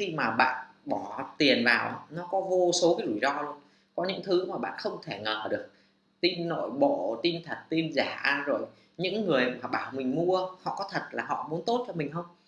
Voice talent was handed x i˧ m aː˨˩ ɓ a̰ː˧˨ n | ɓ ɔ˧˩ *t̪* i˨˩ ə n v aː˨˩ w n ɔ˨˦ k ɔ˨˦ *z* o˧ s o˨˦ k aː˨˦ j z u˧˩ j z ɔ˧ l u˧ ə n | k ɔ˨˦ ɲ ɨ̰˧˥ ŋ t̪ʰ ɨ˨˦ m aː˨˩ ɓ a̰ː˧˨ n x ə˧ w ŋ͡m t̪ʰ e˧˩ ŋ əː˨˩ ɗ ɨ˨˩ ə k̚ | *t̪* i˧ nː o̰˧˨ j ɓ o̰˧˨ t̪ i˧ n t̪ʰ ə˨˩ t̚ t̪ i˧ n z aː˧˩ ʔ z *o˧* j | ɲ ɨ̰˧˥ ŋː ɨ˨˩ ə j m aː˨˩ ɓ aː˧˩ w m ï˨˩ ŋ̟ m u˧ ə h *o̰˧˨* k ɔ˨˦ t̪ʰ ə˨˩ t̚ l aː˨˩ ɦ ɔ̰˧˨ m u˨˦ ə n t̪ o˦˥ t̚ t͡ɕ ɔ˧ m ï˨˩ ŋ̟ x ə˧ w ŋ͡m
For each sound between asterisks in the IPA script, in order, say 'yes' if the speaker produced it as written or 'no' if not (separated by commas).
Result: yes, no, yes, no, no